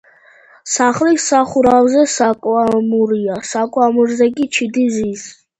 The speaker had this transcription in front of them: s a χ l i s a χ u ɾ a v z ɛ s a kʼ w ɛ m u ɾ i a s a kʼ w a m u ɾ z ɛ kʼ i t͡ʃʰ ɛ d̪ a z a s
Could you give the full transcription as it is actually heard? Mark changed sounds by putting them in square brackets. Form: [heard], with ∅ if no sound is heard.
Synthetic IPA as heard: s a χ l i s a χ u ɾ a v z ɛ s a kʼ w [a] m u ɾ i a s a kʼ w a m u ɾ z ɛ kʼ i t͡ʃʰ [i] d̪ [i] z [i] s